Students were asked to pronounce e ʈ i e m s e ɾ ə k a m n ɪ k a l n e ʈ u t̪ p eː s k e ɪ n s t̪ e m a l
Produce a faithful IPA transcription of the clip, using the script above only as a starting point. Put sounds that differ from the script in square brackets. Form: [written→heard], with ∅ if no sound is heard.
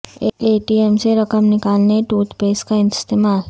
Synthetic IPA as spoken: e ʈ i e m s e ɾ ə k [a→ə] m n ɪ k a l n e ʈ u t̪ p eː s k [e→a] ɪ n s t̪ e m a l